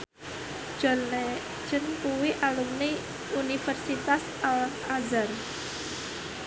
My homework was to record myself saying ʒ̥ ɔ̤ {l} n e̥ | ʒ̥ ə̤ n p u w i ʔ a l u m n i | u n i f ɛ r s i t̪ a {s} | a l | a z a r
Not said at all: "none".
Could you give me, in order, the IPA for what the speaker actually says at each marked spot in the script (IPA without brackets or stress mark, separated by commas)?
l, s